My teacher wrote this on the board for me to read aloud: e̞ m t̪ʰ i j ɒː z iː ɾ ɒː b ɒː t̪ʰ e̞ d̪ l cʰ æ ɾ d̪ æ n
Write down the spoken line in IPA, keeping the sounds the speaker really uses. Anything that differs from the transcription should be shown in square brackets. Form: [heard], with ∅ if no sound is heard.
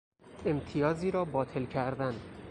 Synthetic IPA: e̞ m t̪ʰ i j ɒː z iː ɾ ɒː b ɒː t̪ʰ e̞ [∅] l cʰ æ ɾ d̪ æ n